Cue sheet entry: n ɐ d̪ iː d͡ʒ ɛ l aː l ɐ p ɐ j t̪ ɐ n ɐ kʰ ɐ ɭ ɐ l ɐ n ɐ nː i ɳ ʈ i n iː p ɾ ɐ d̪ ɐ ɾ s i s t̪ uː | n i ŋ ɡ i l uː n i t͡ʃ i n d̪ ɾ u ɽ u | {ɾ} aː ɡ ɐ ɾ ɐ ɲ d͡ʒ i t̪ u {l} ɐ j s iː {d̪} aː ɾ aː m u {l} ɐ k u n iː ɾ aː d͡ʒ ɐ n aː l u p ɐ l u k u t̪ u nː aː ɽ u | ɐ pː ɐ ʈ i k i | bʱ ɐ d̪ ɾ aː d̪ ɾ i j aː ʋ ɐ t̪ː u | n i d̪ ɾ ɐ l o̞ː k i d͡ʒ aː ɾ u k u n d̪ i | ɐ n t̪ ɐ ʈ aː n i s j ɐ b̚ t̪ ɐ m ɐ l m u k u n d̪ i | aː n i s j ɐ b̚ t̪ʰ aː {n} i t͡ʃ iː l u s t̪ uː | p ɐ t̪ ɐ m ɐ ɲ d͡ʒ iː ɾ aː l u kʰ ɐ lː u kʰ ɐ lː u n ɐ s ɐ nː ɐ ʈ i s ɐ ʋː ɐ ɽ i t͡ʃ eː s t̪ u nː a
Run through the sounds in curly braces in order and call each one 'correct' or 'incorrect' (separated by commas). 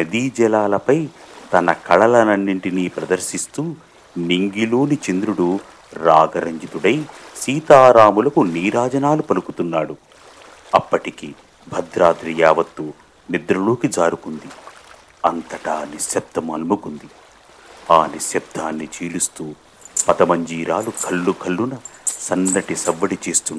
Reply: correct, incorrect, incorrect, correct, incorrect